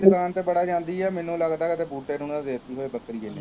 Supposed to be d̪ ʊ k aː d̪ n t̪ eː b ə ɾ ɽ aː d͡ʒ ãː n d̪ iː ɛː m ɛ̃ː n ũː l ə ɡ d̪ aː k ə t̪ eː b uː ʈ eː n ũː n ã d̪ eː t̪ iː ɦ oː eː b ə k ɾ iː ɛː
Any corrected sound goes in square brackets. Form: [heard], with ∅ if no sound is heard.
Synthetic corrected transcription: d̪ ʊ k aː [∅] n t̪ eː b ə [∅] ɽ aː d͡ʒ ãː n d̪ iː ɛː m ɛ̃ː n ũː l ə ɡ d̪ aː k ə t̪ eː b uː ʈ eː n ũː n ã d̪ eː t̪ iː ɦ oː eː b ə k ɾ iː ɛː